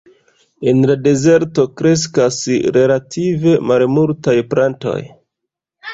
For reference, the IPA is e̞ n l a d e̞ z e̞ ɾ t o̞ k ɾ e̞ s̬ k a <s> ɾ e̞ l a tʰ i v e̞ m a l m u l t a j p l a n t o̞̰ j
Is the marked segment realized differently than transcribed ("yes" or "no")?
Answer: no